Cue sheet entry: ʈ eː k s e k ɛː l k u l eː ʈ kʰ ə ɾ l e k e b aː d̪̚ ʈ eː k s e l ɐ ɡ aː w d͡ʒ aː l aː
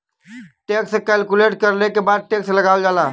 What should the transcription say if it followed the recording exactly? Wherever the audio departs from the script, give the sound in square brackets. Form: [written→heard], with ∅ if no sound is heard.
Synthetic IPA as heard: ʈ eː k s e k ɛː l k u l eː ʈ [kʰ→k] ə ɾ l e k e b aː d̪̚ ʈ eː k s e l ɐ ɡ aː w d͡ʒ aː l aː